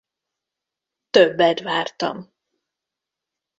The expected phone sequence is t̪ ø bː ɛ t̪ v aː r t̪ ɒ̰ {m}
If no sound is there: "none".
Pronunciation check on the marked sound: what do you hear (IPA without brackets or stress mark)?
m